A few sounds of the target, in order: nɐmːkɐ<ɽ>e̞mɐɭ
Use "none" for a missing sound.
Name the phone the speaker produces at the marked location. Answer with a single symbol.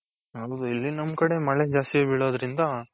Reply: ɽ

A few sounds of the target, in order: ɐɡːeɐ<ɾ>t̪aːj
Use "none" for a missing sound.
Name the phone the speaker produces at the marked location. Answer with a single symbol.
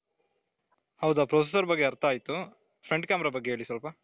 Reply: ɾ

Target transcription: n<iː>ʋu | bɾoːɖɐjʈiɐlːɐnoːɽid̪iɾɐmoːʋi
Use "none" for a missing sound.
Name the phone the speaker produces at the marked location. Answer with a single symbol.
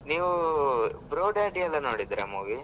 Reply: iː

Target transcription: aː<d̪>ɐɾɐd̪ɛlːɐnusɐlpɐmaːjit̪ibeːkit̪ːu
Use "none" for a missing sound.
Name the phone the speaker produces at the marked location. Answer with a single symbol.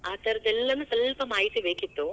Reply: t̪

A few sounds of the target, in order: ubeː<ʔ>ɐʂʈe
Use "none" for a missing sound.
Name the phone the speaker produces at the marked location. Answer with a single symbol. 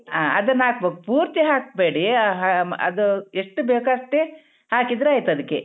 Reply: k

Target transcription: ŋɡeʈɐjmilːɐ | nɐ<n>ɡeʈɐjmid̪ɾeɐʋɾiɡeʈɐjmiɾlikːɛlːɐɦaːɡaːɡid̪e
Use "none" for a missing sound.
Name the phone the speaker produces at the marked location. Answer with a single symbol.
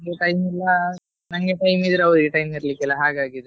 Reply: ŋ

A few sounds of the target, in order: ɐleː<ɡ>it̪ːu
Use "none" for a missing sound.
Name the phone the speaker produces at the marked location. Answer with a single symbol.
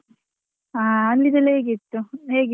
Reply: ɡ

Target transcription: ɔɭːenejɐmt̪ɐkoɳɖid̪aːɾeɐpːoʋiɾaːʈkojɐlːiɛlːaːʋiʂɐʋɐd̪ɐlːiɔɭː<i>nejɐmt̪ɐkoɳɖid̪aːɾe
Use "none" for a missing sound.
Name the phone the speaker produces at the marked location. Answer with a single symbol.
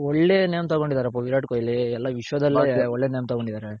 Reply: e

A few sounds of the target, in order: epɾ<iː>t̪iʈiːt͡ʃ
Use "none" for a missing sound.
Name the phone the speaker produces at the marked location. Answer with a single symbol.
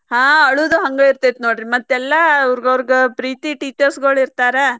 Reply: iː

